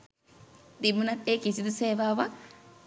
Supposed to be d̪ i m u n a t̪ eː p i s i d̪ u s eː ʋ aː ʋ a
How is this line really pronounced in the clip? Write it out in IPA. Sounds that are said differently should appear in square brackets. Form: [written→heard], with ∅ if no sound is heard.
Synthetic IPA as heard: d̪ i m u n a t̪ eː [p→k] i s i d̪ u s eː ʋ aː ʋ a